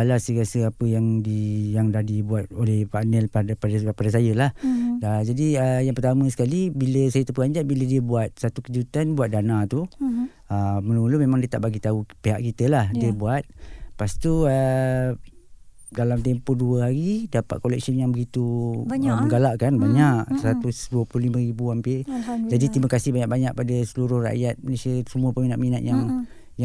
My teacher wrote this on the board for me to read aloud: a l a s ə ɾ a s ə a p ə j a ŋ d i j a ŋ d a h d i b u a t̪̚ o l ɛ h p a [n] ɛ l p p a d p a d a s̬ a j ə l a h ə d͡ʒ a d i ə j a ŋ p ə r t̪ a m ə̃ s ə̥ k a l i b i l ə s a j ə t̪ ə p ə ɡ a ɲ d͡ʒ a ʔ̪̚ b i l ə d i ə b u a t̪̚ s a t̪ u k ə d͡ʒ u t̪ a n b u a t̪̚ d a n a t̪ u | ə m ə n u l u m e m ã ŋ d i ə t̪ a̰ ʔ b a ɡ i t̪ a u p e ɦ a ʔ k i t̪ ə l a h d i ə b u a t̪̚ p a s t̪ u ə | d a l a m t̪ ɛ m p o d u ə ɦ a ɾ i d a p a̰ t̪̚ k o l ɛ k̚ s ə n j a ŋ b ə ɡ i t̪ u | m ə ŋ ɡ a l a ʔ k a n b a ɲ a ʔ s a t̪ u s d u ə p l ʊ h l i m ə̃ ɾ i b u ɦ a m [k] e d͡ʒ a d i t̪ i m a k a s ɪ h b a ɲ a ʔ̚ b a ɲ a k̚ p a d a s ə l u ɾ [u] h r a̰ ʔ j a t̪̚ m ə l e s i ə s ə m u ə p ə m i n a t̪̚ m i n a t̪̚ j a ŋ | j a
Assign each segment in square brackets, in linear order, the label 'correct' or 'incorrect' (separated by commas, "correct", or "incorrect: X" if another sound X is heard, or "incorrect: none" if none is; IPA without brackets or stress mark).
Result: correct, incorrect: p, incorrect: ʊ